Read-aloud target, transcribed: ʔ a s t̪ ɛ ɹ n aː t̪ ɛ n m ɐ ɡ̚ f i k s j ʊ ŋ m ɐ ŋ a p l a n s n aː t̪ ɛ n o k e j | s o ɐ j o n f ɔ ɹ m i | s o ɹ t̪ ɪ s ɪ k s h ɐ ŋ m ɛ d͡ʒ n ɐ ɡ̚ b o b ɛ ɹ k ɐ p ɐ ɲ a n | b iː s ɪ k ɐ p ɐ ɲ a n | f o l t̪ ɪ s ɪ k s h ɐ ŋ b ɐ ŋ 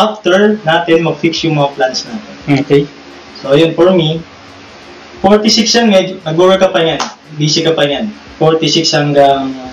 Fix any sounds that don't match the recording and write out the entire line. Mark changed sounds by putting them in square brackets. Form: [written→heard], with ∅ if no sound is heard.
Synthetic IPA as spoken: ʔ a [s→f] t̪ ɛ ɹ n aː t̪ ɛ n m ɐ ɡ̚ f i k s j ʊ ŋ m ɐ ŋ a p l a n s n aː t̪ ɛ n o k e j | s o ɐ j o n f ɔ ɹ m i | [s→f] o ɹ t̪ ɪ s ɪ k s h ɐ ŋ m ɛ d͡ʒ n ɐ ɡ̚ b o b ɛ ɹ k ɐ p ɐ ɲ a n | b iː s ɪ k ɐ p ɐ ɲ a n | f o [l→ɹ] t̪ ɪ s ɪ k s h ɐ ŋ [b→ɡ] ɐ ŋ